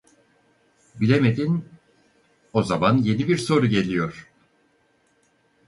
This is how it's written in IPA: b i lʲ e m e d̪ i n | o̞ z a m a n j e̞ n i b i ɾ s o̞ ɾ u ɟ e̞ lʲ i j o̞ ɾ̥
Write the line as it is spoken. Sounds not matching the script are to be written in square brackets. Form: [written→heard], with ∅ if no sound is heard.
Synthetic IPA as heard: b i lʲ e m e d̪ i n | o̞ z a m a n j e̞ n i b i ɾ s o̞ ɾ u ɟ e̞ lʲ i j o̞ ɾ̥